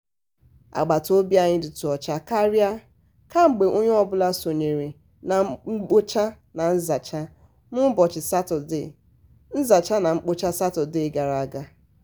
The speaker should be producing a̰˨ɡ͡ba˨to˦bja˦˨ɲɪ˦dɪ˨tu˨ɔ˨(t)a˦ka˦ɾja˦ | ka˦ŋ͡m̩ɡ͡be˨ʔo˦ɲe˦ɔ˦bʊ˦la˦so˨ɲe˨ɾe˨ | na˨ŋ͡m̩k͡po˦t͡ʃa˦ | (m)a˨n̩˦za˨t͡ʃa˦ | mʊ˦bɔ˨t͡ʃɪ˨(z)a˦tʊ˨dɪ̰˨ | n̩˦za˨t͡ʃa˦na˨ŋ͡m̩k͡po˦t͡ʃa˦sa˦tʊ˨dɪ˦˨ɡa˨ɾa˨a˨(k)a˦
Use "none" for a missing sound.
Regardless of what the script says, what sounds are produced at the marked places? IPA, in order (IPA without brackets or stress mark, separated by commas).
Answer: t͡ʃ, n, s, ɡ